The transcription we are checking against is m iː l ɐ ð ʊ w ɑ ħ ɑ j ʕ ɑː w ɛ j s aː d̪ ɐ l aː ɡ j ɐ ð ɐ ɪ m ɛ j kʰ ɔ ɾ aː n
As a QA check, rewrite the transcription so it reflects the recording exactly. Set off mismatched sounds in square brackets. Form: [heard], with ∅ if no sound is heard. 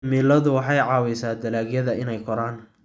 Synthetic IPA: m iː l ɐ ð ʊ w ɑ ħ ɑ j ʕ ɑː w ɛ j s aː d̪ ɐ l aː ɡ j ɐ ð ɐ ɪ [n] ɛ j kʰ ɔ ɾ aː n